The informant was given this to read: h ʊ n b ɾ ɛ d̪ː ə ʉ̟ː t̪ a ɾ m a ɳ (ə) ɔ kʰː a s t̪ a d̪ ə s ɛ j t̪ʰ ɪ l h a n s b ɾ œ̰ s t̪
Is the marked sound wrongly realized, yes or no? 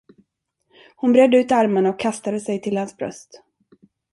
yes